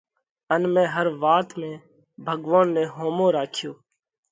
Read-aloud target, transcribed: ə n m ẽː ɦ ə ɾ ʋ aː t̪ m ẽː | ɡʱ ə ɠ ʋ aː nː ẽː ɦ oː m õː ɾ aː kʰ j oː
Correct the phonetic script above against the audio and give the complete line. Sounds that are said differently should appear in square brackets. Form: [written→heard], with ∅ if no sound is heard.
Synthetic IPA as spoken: ə n m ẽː ɦ ə ɾ ʋ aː t̪ m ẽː | [ɡʱ→bʱ] ə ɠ ʋ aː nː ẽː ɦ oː m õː ɾ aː kʰ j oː